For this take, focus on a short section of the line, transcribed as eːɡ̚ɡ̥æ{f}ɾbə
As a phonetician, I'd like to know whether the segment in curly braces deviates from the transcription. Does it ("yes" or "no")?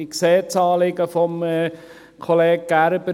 yes